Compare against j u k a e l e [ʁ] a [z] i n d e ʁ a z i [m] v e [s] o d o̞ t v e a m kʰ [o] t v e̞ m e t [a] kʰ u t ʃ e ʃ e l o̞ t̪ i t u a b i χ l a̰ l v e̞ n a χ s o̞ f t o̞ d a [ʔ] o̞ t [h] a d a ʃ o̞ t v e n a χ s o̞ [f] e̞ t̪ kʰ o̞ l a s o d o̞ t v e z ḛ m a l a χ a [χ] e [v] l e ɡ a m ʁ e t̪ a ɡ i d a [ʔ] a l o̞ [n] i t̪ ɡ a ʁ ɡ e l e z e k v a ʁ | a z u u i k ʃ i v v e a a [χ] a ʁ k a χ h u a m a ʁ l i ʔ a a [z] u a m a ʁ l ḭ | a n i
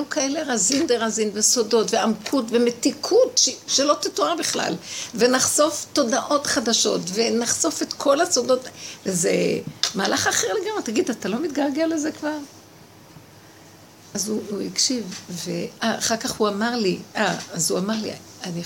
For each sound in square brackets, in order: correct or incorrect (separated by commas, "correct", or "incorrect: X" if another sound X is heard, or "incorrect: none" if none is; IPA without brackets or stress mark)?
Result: correct, correct, incorrect: n, correct, incorrect: u, incorrect: i, correct, incorrect: χ, correct, correct, incorrect: ʁ, incorrect: t, incorrect: m, correct, correct